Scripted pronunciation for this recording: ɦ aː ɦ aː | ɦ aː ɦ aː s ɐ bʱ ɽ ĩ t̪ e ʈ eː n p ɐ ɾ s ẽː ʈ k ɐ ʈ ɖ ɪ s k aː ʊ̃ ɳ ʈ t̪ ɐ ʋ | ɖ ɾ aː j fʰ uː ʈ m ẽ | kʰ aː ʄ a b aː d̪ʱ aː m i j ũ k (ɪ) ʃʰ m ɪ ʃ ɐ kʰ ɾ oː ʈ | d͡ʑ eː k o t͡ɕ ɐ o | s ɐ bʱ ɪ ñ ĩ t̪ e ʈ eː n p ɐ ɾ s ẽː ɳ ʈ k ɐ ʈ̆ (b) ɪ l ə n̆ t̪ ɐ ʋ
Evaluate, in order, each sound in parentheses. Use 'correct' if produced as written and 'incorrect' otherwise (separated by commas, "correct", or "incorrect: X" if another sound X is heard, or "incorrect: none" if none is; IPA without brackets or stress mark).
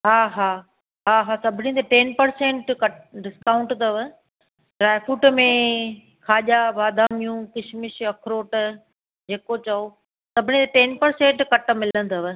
correct, incorrect: m